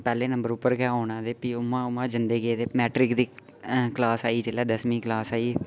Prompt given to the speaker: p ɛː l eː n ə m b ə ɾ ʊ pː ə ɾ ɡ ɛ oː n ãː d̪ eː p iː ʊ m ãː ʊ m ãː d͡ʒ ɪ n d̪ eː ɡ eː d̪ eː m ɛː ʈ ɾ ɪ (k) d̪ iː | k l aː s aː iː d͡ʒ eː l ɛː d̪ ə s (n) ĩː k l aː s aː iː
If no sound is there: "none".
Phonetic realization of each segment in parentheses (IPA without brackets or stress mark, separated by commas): k, m